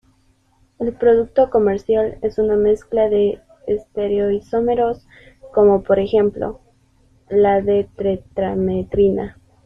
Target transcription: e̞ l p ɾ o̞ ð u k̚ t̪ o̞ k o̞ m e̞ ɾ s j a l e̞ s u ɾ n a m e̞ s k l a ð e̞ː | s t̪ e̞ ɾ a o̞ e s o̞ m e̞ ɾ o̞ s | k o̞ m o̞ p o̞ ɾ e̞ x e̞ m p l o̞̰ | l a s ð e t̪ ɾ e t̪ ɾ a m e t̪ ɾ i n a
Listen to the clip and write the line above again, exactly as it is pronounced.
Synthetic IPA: e̞ l p ɾ o̞ ð u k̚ t̪ o̞ k o̞ m e̞ ɾ s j a l e̞ s u n a m e̞ s k l a ð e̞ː | s t̪ e̞ ɾ e o̞ i s o̞ m e̞ ɾ o̞ s | k o̞ m o̞ p o̞ ɾ e̞ x e̞ m p l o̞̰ | l a ð e t̪ ɾ e t̪ ɾ a m e t̪ ɾ i n a

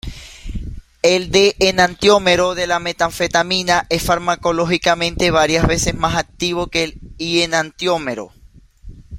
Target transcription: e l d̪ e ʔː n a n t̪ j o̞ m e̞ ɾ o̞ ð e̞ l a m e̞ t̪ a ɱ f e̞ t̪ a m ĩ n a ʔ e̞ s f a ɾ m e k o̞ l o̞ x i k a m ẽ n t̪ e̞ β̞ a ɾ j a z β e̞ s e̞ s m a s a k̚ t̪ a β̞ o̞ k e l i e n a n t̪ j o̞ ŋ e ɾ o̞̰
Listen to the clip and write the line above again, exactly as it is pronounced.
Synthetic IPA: e l d̪ e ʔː n a n t̪ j o̞ m e̞ ɾ o̞ ð e̞ l a m e̞ t̪ a ɱ f e̞ t̪ a m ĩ n a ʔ e̞ s f a ɾ m a k o̞ l o̞ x i k a m ẽ n t̪ e̞ β̞ a ɾ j a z β e̞ s e̞ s m a s a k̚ t̪ i β̞ o̞ k e l i e n a n t̪ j o̞ m e ɾ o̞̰

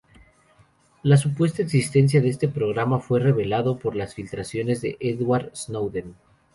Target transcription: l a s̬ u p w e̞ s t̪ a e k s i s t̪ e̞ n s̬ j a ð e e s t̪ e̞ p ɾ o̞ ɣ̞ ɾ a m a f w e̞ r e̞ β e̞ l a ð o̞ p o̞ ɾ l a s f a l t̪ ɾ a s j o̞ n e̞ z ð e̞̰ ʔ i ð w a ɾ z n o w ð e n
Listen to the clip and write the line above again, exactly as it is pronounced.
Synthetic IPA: l a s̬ u p w e̞ s t̪ a e k s i s t̪ e̞ n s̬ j a ð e e s t̪ e̞ p ɾ o̞ ɣ̞ ɾ a m a f w e̞ r e̞ β e̞ l a ð o̞ p o̞ ɾ l a s f i l t̪ ɾ a s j o̞ n e̞ z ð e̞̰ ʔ e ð w a ɾ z n o w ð e n

